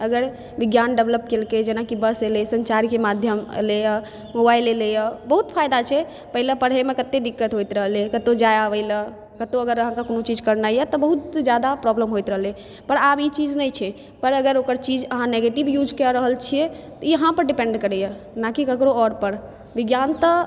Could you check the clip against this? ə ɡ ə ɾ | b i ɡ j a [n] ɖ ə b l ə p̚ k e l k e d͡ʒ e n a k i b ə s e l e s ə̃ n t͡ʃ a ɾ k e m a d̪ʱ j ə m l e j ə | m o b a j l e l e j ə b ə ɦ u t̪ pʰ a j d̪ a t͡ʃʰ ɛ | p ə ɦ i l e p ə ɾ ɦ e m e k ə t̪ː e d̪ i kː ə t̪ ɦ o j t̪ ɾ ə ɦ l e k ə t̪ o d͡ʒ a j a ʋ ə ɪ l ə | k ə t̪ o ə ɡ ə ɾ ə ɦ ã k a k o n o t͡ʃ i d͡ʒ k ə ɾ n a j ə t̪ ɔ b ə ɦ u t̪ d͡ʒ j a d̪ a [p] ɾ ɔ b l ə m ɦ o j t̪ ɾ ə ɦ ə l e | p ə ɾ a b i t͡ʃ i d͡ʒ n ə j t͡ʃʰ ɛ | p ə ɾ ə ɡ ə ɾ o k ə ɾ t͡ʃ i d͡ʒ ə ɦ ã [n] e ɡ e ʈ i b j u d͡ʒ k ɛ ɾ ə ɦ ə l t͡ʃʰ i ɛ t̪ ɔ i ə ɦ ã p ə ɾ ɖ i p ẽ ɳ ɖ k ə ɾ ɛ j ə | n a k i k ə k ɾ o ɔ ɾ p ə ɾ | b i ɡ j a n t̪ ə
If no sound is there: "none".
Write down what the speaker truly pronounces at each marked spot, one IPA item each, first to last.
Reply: n, p, n

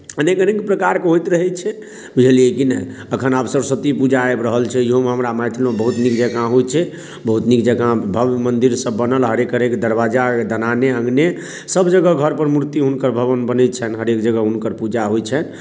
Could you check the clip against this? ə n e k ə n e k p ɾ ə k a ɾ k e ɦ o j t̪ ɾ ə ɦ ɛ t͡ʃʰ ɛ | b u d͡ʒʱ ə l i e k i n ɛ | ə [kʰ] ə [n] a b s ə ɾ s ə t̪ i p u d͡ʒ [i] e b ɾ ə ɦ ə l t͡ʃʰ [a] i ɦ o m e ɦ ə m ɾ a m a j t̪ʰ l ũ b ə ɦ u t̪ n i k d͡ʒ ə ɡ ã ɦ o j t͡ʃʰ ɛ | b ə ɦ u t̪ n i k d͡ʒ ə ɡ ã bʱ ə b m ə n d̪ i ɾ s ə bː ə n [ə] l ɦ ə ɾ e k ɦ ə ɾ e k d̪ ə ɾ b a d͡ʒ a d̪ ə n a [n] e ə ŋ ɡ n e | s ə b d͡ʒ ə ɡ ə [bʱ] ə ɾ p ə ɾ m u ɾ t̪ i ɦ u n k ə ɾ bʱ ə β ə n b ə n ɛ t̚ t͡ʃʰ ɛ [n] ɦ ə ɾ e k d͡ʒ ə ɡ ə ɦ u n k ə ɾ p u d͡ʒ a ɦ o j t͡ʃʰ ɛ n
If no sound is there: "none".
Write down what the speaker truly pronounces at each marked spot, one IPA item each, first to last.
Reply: kʰ, n, a, ɛ, ə, n, ɡʱ, n

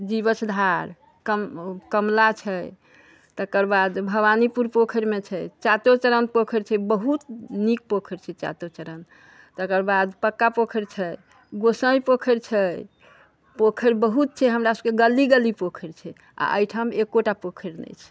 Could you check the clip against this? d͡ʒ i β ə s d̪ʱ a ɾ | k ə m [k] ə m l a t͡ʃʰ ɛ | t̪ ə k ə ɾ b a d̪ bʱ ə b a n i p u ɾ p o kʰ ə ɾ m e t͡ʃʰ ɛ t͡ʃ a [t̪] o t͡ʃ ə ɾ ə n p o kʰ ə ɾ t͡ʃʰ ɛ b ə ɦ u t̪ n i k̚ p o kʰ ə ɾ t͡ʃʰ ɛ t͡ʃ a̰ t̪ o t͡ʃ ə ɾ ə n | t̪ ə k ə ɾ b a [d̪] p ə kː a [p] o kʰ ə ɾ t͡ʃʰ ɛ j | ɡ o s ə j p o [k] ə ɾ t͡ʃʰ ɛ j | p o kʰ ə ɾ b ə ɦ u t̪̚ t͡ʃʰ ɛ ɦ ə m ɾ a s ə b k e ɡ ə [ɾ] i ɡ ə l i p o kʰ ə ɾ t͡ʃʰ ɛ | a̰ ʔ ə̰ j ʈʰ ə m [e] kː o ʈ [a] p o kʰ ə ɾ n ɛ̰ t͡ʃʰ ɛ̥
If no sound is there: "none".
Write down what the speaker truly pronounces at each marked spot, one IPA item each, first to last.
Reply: k, t̪, d̪, p, kʰ, l, e, a

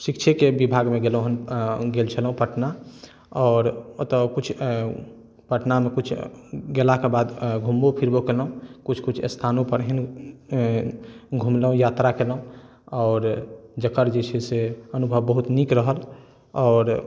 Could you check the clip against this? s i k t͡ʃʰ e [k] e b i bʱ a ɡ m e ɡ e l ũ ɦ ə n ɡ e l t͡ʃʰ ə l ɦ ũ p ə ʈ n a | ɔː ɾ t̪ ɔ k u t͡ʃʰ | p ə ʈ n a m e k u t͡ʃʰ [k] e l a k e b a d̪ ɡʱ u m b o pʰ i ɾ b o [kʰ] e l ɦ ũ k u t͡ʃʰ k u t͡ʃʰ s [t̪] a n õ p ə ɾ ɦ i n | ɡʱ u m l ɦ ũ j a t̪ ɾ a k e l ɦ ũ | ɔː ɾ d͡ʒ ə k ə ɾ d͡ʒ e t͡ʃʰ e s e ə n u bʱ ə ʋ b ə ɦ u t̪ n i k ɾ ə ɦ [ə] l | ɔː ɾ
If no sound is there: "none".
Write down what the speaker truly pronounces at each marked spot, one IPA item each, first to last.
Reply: k, ɡ, k, t̪ʰ, ə

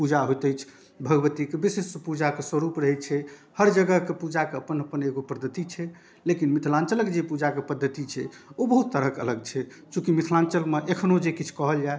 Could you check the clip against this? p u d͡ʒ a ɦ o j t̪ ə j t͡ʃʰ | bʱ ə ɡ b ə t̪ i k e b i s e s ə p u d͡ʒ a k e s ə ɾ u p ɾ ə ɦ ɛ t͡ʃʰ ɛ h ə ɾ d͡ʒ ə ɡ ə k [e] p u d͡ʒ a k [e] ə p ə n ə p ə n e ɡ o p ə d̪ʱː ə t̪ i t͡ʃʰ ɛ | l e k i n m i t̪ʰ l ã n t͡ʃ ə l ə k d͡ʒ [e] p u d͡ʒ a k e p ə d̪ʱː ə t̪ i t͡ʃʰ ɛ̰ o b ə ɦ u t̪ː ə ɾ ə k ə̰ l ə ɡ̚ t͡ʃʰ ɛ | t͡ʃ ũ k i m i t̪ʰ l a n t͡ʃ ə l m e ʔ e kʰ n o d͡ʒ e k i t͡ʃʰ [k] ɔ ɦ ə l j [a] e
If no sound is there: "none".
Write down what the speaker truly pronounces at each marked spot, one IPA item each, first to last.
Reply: e, e, e, k, a

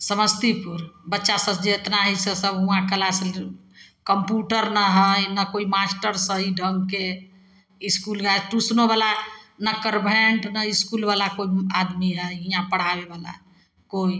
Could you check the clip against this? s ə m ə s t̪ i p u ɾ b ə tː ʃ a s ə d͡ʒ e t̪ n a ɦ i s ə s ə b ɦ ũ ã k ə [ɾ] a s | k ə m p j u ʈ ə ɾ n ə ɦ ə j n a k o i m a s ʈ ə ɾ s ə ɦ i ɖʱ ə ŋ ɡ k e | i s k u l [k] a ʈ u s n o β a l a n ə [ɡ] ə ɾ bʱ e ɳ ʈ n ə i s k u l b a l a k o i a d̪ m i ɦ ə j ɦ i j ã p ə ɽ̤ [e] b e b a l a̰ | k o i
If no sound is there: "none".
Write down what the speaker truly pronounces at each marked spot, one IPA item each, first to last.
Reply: l, ɡ, k, a

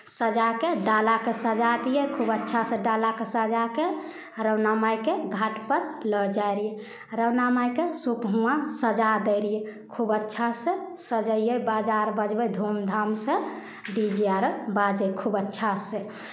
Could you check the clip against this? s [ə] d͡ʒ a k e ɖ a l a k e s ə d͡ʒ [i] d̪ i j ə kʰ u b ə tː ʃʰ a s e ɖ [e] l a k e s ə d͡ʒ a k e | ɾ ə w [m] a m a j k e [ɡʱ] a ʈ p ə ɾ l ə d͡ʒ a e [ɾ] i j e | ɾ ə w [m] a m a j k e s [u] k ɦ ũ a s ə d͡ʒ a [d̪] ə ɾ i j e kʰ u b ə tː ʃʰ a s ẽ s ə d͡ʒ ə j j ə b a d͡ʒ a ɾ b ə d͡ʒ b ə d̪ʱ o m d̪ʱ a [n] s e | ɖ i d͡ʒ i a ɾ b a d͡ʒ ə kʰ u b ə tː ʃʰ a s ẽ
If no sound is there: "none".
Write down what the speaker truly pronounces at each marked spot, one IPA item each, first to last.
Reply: ə, a, a, n, ɡʱ, ɾ, n, u, d̪, m

